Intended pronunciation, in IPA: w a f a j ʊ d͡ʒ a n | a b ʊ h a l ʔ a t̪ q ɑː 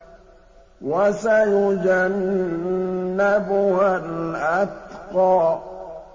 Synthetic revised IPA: w a s a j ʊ d͡ʒ a n | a b ʊ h a l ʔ a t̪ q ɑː